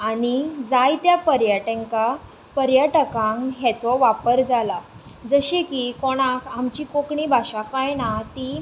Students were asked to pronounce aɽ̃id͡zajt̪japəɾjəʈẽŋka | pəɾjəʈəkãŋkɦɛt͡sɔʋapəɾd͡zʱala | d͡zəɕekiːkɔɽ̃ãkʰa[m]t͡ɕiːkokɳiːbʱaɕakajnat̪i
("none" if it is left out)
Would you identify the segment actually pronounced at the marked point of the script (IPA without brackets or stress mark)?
m